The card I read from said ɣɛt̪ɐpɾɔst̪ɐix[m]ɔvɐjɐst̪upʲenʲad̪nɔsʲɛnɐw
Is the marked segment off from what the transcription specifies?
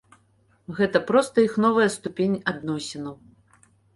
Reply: yes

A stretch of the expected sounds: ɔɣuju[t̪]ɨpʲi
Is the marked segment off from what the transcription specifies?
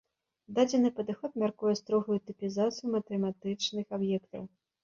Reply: no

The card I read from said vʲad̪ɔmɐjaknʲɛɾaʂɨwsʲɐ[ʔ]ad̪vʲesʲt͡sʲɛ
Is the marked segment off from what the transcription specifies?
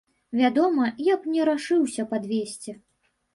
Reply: yes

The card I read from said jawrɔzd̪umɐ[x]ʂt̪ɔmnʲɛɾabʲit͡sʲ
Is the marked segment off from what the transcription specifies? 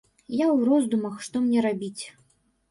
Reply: no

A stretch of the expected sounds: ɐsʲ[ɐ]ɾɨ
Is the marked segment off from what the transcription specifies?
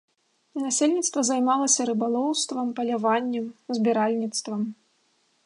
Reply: no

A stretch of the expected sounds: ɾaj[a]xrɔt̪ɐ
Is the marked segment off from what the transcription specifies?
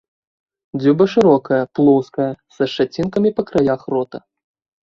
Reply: no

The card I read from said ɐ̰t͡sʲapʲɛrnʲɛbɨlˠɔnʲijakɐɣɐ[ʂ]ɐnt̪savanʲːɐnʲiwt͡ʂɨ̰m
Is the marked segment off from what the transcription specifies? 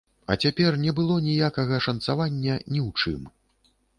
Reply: no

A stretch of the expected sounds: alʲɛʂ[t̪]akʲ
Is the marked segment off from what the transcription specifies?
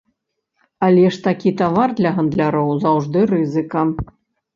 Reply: no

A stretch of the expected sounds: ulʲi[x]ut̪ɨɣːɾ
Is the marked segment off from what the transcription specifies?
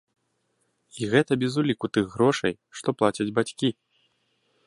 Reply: yes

